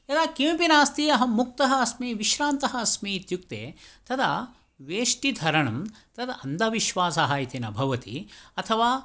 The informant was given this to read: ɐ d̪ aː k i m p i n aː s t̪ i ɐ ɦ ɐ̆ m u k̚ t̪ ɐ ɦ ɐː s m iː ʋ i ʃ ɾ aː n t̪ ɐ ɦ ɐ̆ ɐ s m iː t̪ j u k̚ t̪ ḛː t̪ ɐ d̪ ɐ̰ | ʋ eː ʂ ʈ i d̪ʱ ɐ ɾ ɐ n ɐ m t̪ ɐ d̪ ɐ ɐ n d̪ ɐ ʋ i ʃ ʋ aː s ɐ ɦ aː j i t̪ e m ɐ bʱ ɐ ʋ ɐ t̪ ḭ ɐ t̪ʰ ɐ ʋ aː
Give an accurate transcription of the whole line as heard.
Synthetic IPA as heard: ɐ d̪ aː k i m p i n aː s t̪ i ɐ ɦ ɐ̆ m u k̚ t̪ ɐ ɦ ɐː s m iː ʋ i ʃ ɾ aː n t̪ ɐ ɦ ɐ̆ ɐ s m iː t̪ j u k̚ t̪ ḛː t̪ ɐ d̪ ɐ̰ | ʋ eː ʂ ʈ i d̪ʱ ɐ ɾ ɐ ɳ ɐ m t̪ ɐ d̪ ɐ ɐ n d̪ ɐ ʋ i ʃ ʋ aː s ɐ ɦ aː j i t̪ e n ɐ bʱ ɐ ʋ ɐ t̪ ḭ ɐ t̪ʰ ɐ ʋ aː